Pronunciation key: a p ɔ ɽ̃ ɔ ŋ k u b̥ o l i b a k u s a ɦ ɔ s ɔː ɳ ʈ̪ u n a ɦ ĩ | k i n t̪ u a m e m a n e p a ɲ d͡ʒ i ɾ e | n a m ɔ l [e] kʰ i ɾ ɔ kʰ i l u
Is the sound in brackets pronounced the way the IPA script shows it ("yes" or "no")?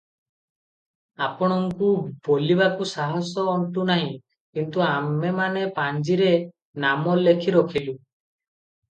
yes